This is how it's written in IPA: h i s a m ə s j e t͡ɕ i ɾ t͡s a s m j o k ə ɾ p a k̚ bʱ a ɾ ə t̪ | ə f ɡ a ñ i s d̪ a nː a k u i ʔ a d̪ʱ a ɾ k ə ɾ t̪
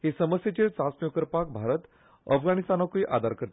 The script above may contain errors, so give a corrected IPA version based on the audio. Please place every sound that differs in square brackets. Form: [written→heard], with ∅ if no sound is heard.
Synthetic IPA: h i s [a→ə] m ə s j e t͡ɕ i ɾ t͡s a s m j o k ə ɾ p a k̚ bʱ a ɾ ə t̪ | ə f ɡ a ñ i s [d̪→t̪] a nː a k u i ʔ a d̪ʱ a ɾ k ə ɾ t̪

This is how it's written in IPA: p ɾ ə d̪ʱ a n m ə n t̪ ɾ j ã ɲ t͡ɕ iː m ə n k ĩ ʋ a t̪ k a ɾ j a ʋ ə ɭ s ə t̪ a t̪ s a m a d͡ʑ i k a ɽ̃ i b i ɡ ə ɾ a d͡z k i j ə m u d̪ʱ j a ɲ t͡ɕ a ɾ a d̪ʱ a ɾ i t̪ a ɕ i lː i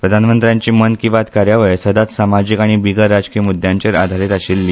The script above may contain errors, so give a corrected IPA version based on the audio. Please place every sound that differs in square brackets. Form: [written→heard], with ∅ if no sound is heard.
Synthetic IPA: p ɾ ə d̪ʱ a n m ə n t̪ ɾ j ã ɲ t͡ɕ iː m ə n k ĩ ʋ a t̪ k a ɾ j a ʋ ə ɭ s ə [t̪→d̪] a t̪ s a m a d͡ʑ i k a ɽ̃ i b i ɡ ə ɾ a d͡z k i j ə m u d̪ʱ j a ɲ t͡ɕ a ɾ a d̪ʱ a ɾ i t̪ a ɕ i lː i

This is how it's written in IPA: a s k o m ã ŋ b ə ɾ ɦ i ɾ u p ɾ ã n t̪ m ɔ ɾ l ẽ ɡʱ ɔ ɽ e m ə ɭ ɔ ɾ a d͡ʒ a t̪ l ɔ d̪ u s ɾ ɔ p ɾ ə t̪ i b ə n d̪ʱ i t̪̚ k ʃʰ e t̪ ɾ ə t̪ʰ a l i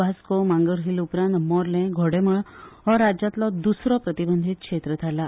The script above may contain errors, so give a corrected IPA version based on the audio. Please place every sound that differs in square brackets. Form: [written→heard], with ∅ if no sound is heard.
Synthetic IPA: a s k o m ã ŋ [b→ɡ] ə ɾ ɦ i [ɾ→l] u p ɾ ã n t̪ m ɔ ɾ l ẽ ɡʱ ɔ ɽ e m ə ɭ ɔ ɾ a d͡ʒ a t̪ l ɔ d̪ u s ɾ ɔ p ɾ ə t̪ i b ə n d̪ʱ i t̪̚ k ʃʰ e t̪ ɾ ə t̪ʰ a l [i→a]

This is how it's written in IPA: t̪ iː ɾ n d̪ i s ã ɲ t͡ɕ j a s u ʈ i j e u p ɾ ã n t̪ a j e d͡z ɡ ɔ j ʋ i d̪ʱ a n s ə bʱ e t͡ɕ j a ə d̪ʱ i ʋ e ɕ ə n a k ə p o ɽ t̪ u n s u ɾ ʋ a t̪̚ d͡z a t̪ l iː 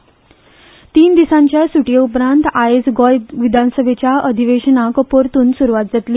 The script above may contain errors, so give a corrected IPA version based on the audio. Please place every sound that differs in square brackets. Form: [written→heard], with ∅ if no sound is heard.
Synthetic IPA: t̪ iː [ɾ→∅] n d̪ i s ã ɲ t͡ɕ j a s u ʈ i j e u p ɾ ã n t̪ a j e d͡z ɡ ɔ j ʋ i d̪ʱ a n s ə bʱ e t͡ɕ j a ə d̪ʱ i ʋ e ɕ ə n a k ə p o [ɽ→ɾ] t̪ [u→uː] n s u ɾ ʋ a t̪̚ d͡z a t̪ l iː

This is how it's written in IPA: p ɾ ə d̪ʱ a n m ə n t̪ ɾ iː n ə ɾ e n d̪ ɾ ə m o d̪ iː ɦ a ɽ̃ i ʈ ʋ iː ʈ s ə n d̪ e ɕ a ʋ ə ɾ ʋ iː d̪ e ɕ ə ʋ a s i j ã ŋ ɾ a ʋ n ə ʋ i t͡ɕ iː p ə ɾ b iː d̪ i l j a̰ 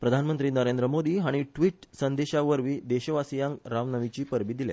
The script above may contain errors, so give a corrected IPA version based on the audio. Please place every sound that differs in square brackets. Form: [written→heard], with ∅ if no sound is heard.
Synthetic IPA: p ɾ ə d̪ʱ a n m ə n t̪ ɾ iː n ə ɾ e n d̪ ɾ ə m o d̪ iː ɦ a ɽ̃ i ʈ ʋ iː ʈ s ə n d̪ e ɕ a ʋ ə ɾ ʋ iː d̪ e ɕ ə ʋ a s i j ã ŋ ɾ a ʋ n ə ʋ i t͡ɕ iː p ə ɾ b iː d̪ i l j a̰

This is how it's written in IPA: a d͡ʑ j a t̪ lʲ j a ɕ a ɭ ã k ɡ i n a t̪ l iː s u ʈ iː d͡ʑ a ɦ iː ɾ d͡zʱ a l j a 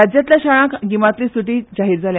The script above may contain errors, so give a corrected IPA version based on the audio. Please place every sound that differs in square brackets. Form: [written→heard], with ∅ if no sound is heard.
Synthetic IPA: a d͡ʑ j a t̪ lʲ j a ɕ a ɭ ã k ɡ i [n→m] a t̪ l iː s u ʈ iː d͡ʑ a ɦ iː ɾ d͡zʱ a l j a

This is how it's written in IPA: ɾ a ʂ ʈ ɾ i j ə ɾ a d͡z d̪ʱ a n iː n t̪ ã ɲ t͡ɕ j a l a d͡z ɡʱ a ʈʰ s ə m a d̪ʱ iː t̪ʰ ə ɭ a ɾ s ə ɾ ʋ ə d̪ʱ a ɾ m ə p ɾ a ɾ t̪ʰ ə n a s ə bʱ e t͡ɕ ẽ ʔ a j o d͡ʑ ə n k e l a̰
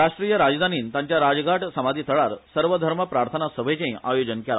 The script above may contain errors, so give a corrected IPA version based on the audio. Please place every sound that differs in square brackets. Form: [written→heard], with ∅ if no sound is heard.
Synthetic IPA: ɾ a ʂ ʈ ɾ i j ə ɾ a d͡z d̪ʱ a n iː n t̪ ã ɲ t͡ɕ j a [l→ɾ] a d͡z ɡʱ a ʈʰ s ə m a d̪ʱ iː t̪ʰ ə ɭ a ɾ s ə ɾ ʋ ə d̪ʱ [a→ə] ɾ m ə p ɾ a ɾ t̪ʰ ə n a s ə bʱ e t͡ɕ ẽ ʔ a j o d͡ʑ ə n k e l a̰

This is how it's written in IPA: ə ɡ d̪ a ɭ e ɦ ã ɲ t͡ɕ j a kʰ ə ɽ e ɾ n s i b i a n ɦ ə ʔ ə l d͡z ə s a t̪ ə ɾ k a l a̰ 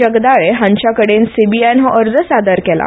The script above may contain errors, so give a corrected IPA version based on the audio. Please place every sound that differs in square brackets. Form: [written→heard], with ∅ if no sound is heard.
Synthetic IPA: ə ɡ d̪ a ɭ e ɦ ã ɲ t͡ɕ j a [kʰ→k] ə ɽ e [ɾ→∅] n s i b i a n ɦ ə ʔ ə [l→ɾ] d͡z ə s a [t̪→d̪] ə ɾ k [a→ɛ] l a̰

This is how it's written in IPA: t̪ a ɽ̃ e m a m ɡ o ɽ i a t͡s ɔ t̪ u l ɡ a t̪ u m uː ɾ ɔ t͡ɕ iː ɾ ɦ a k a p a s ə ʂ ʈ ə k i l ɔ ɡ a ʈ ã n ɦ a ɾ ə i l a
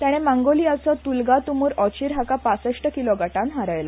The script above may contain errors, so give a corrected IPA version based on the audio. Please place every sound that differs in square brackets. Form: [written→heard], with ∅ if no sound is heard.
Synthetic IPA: t̪ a ɽ̃ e m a [m→ŋ] ɡ o [ɽ→l] i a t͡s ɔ t̪ u l ɡ a t̪ u m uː ɾ ɔ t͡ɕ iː ɾ ɦ a k a p a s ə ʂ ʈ ə k i l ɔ ɡ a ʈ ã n ɦ a ɾ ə [i→j] l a

